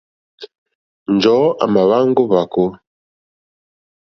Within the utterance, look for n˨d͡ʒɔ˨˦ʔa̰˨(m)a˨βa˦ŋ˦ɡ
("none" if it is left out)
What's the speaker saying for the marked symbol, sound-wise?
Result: m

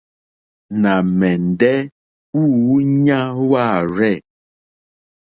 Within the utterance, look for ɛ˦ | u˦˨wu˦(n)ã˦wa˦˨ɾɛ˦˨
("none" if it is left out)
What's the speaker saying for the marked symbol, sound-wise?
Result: ɲ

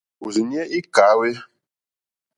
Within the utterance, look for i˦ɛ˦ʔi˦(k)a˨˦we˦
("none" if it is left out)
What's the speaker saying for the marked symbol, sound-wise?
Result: k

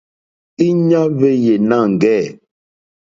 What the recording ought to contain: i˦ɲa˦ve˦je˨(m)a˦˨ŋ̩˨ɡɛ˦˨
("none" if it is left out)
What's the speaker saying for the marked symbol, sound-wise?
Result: n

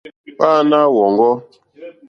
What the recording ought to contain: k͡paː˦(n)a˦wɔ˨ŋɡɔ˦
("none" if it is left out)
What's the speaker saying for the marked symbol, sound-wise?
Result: n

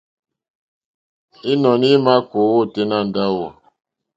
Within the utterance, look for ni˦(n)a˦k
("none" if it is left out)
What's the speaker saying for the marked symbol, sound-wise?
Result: m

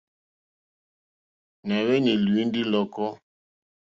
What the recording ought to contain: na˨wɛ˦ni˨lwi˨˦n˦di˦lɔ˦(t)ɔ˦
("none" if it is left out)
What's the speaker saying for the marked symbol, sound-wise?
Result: k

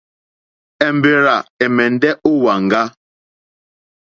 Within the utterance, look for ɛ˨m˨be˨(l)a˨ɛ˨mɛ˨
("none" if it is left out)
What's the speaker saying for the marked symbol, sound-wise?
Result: ɾ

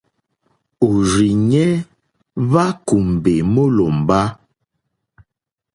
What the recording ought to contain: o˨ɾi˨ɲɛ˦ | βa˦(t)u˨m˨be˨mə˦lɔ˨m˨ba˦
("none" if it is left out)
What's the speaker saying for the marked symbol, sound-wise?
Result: k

